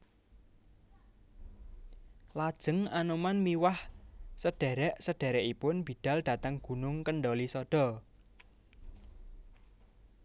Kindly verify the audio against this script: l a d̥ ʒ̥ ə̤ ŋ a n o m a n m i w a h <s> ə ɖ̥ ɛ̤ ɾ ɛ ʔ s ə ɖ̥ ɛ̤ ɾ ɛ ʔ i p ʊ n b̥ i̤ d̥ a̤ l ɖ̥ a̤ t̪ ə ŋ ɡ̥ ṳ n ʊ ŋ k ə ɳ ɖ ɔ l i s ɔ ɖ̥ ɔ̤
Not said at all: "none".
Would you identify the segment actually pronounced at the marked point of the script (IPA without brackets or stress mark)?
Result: s